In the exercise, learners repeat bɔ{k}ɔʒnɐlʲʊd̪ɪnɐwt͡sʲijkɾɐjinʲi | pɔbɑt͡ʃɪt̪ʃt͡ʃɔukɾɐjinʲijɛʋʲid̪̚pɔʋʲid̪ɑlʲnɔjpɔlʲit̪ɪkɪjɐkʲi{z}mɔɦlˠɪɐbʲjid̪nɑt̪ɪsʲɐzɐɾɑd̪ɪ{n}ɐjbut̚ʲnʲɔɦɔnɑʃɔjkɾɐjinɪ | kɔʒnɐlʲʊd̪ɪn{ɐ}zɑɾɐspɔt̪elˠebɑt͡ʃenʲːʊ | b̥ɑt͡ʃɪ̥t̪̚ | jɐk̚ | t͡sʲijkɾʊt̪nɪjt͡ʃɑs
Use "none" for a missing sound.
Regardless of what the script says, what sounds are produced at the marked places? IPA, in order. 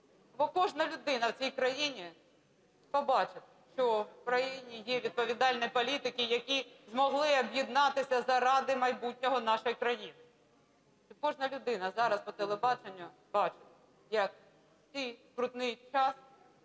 k, z, m, ɐ

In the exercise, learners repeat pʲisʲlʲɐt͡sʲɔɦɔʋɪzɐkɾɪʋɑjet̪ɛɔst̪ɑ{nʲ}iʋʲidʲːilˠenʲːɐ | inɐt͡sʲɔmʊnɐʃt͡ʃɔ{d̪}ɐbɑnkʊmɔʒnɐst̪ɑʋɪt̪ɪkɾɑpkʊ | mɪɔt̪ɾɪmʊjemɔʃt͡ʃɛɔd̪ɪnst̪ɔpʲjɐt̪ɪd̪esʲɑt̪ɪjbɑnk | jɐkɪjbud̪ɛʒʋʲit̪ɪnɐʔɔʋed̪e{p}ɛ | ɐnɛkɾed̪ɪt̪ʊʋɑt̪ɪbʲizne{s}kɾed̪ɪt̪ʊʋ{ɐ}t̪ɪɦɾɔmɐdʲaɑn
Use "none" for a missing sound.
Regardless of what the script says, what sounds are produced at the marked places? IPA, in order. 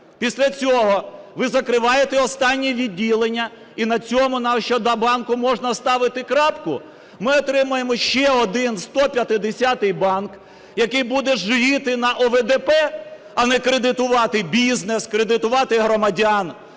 nʲː, d̪, p, s, ɑ

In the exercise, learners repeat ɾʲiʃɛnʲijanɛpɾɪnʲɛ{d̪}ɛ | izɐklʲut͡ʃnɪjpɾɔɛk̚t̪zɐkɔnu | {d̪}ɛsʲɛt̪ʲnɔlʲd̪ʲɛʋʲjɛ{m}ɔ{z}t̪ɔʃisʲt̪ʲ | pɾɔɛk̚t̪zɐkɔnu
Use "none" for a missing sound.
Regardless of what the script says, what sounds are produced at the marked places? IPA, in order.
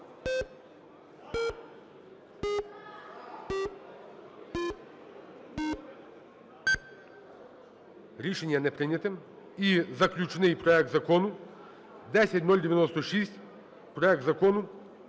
t̪, d̪, n, s

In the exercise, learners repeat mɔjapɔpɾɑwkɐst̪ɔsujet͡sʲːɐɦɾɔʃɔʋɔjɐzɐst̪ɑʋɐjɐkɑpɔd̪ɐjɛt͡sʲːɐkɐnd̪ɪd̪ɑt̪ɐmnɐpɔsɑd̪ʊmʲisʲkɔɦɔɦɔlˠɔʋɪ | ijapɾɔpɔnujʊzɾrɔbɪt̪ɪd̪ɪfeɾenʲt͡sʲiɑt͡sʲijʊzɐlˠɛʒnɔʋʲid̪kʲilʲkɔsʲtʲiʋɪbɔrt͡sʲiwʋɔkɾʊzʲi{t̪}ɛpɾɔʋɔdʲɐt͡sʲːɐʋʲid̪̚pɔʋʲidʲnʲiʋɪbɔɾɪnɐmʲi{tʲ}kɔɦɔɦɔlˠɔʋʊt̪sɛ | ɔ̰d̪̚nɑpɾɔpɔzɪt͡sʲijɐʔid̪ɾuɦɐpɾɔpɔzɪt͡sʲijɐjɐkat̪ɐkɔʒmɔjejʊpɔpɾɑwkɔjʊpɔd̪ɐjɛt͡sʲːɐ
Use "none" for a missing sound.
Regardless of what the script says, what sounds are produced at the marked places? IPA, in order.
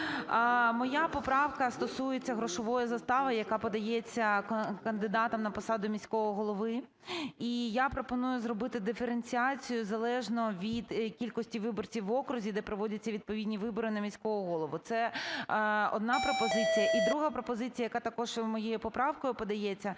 d̪, sʲ

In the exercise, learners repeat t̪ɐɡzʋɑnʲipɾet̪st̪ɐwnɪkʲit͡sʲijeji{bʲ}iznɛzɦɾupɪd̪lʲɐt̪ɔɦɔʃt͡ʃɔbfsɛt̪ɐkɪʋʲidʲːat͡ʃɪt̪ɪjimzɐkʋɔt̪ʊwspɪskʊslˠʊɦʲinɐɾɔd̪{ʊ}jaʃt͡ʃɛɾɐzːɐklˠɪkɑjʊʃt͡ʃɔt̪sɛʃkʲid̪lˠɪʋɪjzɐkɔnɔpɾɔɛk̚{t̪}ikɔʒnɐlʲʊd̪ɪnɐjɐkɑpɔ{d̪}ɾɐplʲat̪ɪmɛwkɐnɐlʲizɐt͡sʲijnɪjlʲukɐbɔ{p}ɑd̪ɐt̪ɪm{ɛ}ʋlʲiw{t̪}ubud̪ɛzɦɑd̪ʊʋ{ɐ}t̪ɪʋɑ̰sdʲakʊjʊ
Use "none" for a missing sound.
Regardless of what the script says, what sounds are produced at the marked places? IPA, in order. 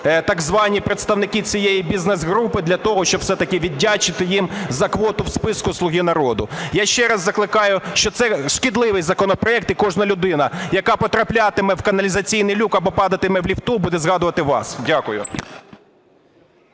bʲ, ʊ, t̪, t̪, p, ɛ, t̪, ɐ

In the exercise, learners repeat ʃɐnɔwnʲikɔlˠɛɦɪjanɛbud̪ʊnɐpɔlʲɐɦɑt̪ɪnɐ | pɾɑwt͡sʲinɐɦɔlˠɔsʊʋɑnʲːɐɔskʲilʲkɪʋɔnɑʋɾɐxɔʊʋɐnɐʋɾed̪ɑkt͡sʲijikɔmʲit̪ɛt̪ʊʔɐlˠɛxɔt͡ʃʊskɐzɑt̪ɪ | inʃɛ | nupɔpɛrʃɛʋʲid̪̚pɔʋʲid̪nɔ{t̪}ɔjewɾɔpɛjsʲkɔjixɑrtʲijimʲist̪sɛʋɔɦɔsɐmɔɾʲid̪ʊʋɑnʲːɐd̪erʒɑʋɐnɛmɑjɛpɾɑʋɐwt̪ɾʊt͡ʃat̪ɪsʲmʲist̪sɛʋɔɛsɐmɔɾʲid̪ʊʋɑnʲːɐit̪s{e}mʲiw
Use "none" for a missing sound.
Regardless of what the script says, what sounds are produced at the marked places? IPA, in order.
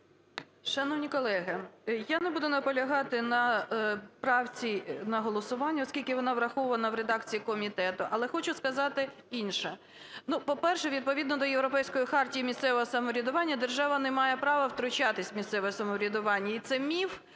d̪, ɛ

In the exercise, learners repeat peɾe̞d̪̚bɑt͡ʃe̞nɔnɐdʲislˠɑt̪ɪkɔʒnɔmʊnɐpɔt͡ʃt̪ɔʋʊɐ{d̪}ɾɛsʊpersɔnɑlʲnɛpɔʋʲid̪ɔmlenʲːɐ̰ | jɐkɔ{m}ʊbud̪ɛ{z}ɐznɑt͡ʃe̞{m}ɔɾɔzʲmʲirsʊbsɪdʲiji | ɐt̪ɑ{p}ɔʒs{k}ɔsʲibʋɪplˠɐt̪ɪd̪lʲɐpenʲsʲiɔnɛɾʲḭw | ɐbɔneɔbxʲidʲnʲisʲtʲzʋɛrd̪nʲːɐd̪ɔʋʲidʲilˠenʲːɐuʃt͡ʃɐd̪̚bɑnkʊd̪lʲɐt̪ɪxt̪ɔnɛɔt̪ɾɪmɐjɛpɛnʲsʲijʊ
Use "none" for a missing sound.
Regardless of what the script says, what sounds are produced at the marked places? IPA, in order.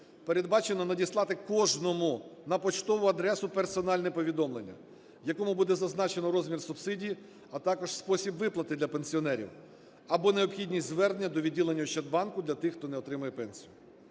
d̪, m, z, n, k, p

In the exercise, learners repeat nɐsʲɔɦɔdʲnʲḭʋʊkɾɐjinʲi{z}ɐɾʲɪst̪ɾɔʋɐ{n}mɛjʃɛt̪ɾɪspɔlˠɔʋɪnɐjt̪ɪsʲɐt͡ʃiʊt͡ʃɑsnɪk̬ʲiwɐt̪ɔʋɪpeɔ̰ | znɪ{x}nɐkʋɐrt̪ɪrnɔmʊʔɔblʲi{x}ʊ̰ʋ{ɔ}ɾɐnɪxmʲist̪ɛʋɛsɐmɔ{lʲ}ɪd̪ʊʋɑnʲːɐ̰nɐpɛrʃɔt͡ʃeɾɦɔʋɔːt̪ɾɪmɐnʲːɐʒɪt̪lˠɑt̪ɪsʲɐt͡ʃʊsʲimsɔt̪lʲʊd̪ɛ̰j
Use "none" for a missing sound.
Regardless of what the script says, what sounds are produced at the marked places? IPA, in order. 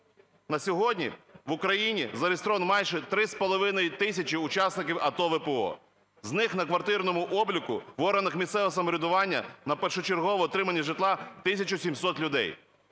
z, n, x, k, ɔ, ɾʲ

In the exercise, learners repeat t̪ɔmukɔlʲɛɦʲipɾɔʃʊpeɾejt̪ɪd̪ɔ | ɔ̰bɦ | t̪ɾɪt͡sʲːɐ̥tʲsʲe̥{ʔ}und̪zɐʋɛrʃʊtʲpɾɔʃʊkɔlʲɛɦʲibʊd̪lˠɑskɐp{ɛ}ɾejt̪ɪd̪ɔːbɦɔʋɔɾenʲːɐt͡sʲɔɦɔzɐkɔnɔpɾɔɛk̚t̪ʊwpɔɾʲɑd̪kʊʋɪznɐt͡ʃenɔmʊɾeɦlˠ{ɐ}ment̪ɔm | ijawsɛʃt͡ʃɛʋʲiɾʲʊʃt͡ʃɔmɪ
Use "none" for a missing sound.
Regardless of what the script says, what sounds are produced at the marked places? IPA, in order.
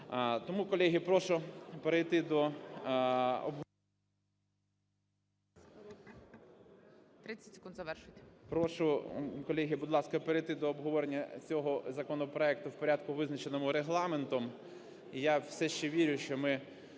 k, e, ɑ

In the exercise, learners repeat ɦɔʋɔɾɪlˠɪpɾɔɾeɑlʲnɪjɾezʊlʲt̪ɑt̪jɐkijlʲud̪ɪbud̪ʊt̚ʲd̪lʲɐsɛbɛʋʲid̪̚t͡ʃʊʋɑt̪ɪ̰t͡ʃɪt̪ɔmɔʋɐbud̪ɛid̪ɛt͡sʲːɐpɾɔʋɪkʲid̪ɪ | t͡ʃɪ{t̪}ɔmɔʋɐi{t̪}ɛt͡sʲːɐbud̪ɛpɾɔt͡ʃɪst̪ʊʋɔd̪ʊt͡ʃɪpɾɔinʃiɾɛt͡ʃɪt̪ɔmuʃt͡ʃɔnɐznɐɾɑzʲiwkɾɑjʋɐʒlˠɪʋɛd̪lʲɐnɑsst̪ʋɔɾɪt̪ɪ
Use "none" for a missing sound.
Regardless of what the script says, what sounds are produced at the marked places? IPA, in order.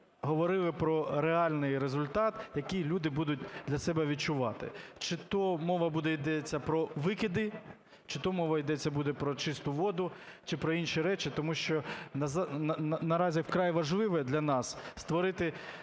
t̪, d̪

